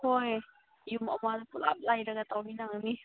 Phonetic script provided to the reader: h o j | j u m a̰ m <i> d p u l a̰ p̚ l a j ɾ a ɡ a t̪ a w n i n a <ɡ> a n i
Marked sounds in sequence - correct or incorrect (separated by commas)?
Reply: incorrect, incorrect